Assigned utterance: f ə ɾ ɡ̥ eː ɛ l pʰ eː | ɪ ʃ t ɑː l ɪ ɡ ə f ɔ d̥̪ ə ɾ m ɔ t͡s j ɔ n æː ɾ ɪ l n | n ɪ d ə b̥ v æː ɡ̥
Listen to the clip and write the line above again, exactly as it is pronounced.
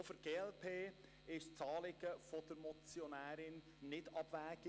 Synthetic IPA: f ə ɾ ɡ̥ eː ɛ l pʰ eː | ɪ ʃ t͡s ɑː l ɪ ɡ ə f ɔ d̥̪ ə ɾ m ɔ t͡s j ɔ n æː ɾ ɪ n | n ɪ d ɑ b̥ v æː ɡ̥